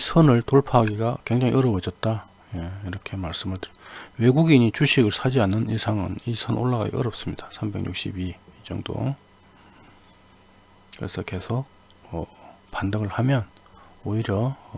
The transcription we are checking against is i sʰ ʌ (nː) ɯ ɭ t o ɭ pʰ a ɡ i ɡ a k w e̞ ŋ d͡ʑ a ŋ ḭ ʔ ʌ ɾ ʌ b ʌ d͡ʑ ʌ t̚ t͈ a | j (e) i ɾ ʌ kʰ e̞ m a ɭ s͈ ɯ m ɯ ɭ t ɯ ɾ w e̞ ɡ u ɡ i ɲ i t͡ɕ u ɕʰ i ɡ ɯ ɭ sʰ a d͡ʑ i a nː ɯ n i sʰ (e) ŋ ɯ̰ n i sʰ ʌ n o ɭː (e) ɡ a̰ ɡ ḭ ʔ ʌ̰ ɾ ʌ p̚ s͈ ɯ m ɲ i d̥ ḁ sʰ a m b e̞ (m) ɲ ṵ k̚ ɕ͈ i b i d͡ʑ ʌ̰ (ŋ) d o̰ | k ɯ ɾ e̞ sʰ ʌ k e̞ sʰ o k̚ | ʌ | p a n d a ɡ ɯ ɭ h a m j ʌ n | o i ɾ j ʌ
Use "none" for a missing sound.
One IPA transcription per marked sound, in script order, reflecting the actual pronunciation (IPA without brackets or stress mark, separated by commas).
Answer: n, e, a, a, ŋ, ŋ